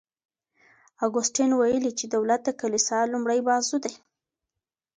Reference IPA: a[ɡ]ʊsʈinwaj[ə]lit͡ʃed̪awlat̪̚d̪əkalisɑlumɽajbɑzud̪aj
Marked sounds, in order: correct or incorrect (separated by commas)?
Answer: correct, correct